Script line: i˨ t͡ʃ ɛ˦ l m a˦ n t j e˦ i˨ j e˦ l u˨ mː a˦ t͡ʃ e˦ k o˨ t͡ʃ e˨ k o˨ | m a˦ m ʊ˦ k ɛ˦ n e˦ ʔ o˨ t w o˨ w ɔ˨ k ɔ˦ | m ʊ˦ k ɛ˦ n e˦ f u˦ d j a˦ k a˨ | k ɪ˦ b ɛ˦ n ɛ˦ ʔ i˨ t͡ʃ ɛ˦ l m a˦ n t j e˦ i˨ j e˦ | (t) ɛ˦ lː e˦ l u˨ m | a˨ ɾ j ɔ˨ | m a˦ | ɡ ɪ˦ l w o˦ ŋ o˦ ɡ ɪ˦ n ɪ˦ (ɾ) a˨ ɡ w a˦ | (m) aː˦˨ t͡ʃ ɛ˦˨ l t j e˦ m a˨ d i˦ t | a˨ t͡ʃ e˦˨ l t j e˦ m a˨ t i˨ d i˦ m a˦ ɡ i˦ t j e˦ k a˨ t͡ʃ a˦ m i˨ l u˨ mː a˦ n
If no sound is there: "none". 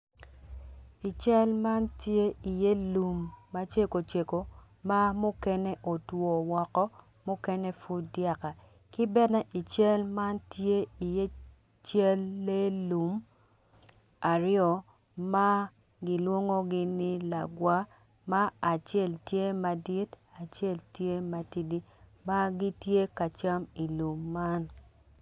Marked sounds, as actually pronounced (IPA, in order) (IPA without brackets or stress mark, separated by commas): t͡ʃ, l, m